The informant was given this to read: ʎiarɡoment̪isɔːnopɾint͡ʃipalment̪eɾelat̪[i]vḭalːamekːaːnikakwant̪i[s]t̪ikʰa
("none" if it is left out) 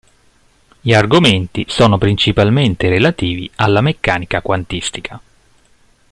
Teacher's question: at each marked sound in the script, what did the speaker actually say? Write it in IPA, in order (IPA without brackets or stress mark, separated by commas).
iː, s